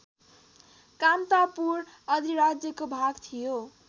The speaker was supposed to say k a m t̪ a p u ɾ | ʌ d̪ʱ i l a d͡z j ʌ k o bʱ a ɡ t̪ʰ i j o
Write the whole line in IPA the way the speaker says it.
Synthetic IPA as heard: k a m t̪ a p u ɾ | ʌ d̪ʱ i ɾ a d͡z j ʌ k o bʱ a ɡ t̪ʰ i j o